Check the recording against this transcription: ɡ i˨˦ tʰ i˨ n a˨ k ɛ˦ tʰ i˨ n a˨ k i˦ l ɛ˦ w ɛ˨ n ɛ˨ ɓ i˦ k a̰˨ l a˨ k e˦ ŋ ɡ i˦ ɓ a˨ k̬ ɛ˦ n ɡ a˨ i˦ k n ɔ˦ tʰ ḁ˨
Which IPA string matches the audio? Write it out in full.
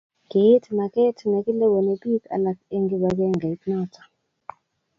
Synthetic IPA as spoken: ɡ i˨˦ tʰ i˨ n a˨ k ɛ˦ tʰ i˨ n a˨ k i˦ l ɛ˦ w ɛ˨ n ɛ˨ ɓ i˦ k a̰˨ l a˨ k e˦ ŋ ɡ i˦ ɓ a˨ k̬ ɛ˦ ŋ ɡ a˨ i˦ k n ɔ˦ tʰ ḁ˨